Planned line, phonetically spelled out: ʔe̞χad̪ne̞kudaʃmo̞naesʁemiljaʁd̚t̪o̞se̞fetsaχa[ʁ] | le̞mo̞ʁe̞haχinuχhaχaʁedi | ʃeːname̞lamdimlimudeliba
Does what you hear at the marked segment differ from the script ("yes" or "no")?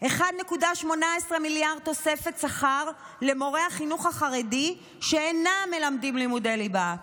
no